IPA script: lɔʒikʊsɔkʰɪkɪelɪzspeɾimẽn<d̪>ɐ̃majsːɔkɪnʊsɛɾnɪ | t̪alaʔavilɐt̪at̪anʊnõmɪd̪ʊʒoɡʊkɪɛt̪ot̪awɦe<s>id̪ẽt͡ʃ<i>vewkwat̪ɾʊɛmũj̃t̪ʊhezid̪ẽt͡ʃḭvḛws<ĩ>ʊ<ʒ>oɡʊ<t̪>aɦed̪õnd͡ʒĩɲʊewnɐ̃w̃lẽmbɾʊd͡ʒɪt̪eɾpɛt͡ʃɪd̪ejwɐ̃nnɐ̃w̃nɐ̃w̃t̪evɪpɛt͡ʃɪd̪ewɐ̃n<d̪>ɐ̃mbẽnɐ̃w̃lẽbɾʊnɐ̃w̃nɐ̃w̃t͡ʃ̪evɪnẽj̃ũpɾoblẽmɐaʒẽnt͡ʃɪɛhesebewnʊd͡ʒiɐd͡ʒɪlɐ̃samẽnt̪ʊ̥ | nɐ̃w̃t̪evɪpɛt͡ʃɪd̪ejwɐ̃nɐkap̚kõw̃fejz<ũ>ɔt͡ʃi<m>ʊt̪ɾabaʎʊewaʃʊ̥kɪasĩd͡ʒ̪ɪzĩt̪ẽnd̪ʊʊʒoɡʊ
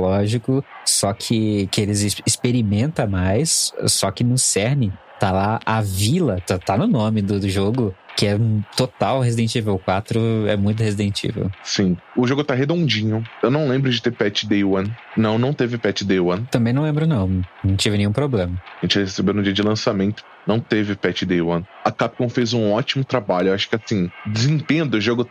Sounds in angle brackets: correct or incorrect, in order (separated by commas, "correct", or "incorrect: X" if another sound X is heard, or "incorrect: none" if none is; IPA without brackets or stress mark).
incorrect: t̪, incorrect: z, correct, correct, correct, correct, incorrect: t̪, correct, correct